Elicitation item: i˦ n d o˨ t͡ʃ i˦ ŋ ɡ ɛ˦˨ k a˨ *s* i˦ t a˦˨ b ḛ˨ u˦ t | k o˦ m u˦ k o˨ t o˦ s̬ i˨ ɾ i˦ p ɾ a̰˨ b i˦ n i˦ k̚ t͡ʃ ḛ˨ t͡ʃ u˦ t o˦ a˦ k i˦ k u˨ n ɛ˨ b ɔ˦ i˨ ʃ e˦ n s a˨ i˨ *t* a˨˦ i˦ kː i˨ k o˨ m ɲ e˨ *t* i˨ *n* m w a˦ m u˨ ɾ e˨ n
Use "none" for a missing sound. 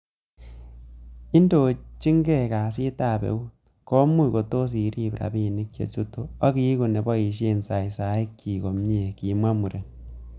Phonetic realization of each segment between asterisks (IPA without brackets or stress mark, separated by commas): s, s, k, none